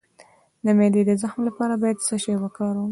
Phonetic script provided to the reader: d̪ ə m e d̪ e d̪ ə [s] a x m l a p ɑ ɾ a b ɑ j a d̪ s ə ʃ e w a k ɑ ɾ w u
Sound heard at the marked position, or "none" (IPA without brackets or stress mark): z